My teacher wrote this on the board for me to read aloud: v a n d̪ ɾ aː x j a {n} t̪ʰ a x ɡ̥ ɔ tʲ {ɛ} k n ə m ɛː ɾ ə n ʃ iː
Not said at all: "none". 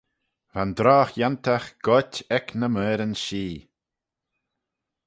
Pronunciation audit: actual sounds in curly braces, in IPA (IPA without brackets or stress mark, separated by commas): n, ɛ